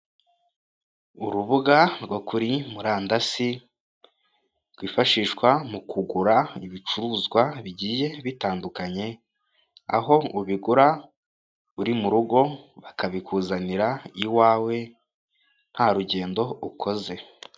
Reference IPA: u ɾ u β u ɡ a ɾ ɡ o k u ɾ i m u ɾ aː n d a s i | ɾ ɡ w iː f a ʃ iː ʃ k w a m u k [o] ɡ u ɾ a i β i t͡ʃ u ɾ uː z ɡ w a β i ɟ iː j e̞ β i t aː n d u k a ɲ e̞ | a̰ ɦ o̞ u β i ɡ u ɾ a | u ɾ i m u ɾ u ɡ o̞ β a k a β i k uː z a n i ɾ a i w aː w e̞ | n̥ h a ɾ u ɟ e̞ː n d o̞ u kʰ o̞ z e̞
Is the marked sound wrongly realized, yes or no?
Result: yes